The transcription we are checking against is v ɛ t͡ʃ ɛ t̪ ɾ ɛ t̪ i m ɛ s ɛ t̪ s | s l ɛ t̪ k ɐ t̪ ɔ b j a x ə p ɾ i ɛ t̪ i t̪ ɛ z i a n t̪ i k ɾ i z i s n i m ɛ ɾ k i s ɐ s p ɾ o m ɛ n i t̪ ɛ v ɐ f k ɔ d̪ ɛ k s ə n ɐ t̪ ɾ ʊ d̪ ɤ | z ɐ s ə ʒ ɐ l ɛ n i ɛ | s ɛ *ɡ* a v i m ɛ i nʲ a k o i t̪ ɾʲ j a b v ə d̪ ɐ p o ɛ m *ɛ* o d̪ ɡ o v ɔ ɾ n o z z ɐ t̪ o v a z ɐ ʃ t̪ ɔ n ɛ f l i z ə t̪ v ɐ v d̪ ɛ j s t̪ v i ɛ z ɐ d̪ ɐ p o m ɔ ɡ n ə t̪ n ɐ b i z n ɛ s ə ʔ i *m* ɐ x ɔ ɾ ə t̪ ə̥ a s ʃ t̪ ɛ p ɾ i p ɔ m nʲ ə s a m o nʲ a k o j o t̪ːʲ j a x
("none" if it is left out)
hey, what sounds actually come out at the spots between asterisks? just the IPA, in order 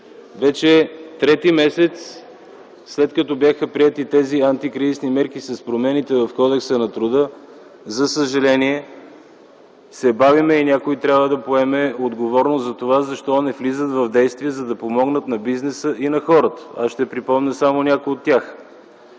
b, ɛ, n

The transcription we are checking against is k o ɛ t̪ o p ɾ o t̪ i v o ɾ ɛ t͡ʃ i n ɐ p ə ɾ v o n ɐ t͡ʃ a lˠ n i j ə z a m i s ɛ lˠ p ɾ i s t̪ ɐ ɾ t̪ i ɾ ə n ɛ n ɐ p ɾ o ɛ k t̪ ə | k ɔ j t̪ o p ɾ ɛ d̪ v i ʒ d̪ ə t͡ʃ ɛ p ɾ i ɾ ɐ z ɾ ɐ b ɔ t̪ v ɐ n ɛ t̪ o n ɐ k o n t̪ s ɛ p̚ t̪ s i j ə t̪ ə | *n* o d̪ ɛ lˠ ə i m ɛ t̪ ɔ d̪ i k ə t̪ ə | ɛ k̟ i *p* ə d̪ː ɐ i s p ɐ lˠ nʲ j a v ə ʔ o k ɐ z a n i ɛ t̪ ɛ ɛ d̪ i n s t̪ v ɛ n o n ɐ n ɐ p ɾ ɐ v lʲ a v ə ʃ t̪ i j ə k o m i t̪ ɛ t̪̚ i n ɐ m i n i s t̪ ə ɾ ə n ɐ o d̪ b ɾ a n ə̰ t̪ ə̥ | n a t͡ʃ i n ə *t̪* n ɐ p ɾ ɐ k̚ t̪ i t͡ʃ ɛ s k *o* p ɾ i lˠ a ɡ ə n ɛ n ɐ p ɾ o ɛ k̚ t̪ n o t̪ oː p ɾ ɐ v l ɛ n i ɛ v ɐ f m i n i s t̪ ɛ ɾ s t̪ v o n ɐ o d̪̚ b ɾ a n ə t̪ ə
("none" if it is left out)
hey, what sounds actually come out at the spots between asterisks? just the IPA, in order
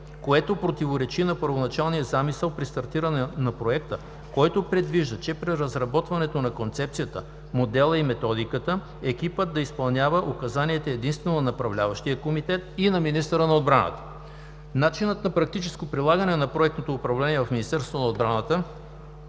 m, p, t̪, o

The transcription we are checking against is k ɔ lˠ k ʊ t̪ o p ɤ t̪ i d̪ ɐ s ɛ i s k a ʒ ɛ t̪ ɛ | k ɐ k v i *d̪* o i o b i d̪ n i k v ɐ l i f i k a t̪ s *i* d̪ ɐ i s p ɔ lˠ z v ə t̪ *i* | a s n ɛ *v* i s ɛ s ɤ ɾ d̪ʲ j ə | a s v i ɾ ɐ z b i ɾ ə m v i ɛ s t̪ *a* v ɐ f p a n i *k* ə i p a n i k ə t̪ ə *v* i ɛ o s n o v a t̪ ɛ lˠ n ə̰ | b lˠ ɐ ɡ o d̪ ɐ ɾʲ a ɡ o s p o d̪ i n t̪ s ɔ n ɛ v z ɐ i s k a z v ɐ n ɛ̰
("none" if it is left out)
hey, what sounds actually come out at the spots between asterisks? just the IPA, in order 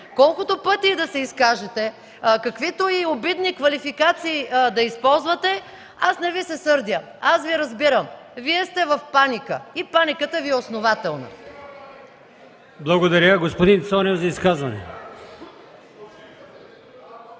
t̪, iː, ɛ, v, ɛ, k, v

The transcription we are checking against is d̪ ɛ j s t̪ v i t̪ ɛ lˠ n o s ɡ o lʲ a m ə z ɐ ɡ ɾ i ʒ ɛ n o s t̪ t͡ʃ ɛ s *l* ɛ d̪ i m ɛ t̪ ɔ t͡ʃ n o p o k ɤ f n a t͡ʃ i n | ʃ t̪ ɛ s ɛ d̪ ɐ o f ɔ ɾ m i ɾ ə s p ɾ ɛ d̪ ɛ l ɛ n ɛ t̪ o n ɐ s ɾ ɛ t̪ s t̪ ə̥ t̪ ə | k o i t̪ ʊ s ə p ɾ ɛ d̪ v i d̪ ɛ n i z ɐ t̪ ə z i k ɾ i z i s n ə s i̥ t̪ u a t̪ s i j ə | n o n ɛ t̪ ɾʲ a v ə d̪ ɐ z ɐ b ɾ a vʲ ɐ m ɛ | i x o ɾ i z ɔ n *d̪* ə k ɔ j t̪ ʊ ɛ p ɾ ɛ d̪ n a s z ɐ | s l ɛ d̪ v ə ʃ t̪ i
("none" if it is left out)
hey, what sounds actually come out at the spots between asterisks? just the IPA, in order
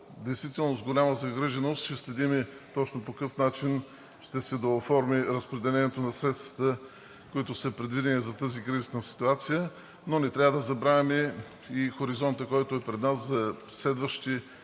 l, t̪

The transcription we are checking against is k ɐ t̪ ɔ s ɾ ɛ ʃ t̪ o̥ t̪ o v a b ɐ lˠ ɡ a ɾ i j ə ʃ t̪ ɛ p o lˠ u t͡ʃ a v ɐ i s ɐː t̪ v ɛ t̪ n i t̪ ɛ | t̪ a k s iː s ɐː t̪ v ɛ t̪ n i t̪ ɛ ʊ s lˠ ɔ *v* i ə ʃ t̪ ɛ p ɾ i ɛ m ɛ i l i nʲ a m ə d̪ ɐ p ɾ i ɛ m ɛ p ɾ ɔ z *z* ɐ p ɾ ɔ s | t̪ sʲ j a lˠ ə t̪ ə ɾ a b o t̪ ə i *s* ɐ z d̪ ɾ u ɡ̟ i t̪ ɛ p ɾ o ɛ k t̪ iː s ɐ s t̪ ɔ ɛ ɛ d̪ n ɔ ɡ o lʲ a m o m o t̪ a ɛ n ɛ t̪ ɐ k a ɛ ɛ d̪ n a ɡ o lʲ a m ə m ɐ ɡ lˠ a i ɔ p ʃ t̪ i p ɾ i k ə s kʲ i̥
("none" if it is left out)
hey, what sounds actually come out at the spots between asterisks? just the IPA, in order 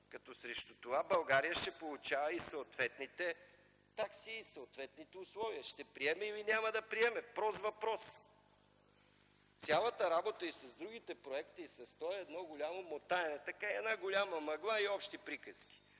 v, v, s

